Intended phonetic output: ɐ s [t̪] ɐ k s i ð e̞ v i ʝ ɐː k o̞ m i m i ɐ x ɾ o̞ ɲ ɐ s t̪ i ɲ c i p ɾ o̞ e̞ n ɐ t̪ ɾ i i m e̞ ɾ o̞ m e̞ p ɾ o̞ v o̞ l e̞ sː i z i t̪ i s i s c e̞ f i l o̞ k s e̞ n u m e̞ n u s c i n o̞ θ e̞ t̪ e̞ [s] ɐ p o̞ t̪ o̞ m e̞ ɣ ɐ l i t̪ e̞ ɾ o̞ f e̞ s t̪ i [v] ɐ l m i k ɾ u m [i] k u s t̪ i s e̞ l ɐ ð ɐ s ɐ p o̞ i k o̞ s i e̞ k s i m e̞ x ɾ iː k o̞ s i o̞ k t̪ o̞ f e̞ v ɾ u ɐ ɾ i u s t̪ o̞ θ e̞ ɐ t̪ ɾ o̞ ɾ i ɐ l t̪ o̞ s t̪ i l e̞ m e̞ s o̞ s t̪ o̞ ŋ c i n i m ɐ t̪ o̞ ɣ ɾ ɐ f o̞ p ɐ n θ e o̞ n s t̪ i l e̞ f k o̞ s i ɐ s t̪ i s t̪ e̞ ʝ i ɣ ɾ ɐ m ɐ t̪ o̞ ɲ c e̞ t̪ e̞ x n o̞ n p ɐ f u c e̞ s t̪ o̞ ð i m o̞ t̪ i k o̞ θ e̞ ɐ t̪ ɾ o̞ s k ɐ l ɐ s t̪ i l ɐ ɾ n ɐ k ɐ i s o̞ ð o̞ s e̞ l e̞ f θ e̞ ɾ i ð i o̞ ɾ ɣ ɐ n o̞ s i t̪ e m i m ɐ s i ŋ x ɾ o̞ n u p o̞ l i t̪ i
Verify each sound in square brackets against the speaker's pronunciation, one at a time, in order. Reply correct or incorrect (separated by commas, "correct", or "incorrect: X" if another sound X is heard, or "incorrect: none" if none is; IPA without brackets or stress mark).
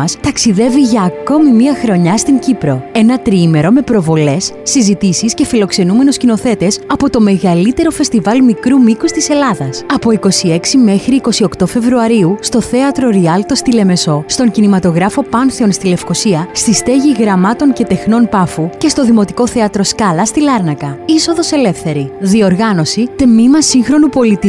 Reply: correct, correct, correct, correct